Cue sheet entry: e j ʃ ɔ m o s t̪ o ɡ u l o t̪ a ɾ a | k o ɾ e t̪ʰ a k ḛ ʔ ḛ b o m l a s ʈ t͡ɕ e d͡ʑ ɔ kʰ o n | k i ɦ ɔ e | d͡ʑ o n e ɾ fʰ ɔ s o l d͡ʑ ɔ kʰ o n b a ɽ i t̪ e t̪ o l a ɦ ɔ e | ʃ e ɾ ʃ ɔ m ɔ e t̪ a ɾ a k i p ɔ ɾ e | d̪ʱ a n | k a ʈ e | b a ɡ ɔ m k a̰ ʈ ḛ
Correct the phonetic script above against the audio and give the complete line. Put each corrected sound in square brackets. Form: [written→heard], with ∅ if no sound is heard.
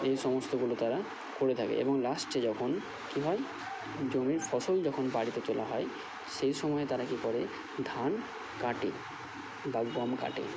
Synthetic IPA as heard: e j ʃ ɔ m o s t̪ o ɡ u l o t̪ a ɾ a | k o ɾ e t̪ʰ a k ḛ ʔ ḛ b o [m→ŋ] l a s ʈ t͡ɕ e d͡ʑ ɔ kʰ o n | k i ɦ ɔ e | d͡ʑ o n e ɾ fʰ ɔ s o l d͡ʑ ɔ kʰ o n b a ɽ i t̪ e t̪ o l a ɦ ɔ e | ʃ e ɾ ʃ ɔ m ɔ e t̪ a ɾ a k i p ɔ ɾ e | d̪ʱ a n | k a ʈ e | b a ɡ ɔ m k a̰ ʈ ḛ